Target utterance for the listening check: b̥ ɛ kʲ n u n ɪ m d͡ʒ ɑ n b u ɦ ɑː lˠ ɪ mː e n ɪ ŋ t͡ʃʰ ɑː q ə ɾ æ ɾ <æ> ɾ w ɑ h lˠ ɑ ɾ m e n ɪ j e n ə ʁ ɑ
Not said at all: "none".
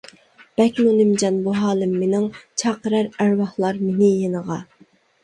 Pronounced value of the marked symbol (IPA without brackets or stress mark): æ